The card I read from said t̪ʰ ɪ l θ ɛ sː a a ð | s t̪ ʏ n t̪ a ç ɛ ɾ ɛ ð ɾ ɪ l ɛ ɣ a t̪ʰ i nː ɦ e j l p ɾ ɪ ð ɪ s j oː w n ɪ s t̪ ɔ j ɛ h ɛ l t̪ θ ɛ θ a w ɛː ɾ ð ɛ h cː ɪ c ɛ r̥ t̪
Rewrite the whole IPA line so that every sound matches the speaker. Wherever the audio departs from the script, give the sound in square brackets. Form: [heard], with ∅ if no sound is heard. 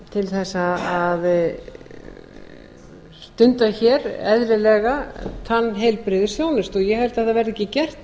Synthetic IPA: t̪ʰ ɪ l θ ɛ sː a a ð | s t̪ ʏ n t̪ a ç ɛ ɾ ɛ ð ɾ ɪ l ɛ ɣ a t̪ʰ [a] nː ɦ e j l p ɾ ɪ ð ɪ s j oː w n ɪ s t̪ ɔ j ɛ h ɛ l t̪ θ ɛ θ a [v] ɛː ɾ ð ɛ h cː ɪ c ɛ r̥ t̪